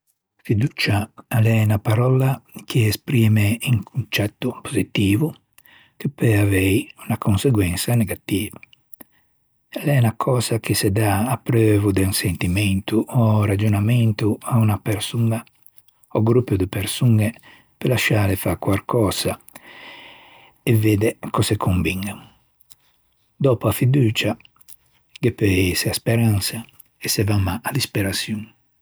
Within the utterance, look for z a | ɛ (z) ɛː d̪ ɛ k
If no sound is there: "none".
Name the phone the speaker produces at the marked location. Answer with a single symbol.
v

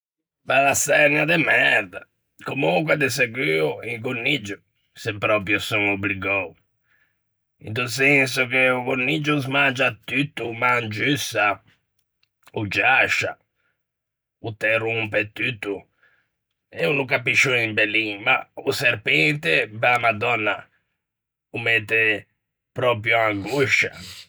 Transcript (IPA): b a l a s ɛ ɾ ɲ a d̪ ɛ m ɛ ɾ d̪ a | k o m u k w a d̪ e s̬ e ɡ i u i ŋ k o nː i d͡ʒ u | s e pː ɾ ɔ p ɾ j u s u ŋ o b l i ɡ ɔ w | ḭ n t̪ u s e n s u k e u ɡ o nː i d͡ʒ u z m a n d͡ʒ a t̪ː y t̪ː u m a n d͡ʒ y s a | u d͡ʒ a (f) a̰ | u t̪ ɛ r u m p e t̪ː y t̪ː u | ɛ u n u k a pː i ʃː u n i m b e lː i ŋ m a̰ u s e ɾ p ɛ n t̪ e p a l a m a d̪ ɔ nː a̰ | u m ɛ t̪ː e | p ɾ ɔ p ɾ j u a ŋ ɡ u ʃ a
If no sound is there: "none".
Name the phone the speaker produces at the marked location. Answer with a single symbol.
ʃ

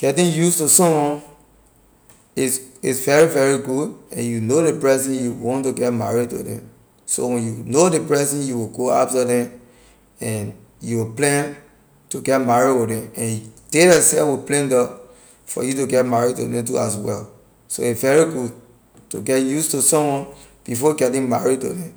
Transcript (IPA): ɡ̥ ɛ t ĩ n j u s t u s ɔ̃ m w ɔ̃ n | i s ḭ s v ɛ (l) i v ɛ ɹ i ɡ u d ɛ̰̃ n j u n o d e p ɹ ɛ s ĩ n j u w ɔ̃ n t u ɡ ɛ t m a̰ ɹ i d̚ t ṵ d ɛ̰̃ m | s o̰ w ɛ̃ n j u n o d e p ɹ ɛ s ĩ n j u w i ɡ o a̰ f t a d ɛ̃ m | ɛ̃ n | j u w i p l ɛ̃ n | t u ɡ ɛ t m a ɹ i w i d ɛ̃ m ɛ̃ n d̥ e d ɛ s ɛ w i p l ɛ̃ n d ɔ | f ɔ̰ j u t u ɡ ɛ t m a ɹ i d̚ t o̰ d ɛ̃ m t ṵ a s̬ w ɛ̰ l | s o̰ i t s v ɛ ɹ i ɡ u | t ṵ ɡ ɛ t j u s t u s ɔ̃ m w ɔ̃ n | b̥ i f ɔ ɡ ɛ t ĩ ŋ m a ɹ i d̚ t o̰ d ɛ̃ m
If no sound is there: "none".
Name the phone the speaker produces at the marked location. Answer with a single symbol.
ɹ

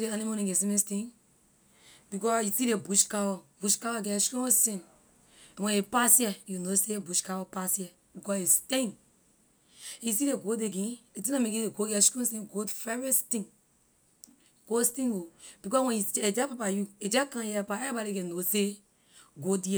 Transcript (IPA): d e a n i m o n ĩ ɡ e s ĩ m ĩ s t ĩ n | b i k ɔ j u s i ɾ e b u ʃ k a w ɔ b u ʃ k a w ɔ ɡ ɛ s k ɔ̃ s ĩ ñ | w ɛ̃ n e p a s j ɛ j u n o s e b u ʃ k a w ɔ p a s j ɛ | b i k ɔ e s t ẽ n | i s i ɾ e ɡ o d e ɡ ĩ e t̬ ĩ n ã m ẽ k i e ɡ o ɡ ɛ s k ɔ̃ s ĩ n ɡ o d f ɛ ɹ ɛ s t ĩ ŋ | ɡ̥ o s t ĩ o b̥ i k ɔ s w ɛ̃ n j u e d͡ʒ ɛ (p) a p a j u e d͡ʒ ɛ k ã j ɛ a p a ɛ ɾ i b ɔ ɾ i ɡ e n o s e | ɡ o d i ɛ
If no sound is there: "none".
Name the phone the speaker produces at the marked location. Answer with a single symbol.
p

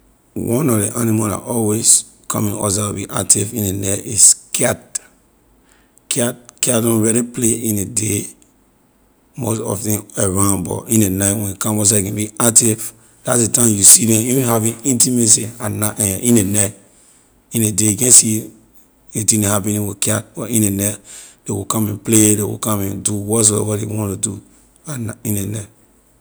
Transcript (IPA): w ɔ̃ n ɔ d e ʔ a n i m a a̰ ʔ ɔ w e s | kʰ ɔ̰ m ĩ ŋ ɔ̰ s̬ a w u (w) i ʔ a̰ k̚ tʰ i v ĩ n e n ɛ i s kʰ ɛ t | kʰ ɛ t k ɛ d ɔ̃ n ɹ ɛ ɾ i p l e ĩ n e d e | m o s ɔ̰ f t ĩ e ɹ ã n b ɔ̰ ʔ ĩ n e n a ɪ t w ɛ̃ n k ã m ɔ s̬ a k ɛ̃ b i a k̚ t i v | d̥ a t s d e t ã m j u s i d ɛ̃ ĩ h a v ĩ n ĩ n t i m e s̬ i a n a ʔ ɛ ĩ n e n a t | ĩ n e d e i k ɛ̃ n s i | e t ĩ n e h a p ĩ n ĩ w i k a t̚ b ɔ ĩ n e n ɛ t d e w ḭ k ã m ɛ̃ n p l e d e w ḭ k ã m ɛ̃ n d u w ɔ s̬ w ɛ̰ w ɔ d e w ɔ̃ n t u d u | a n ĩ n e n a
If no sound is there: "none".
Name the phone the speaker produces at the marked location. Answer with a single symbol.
b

